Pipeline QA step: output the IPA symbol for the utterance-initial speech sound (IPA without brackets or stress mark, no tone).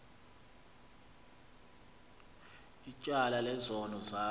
i